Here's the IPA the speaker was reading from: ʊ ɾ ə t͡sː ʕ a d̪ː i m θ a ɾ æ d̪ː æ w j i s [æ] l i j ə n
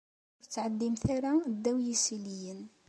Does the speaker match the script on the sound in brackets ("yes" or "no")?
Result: no